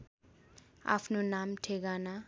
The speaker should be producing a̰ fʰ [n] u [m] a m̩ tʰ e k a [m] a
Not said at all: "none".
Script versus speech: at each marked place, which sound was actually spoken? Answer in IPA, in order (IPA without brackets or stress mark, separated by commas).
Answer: n, n, n